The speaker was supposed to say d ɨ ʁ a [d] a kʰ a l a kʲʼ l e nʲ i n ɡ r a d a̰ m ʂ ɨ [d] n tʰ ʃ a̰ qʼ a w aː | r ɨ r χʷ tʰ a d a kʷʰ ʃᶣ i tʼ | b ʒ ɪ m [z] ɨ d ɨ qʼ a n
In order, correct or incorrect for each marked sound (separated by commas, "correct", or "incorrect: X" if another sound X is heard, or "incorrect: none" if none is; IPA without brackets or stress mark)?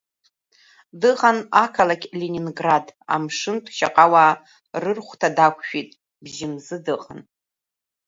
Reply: incorrect: n, incorrect: none, correct